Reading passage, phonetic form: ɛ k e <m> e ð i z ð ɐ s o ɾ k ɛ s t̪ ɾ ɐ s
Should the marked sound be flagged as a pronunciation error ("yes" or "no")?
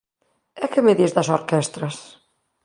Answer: no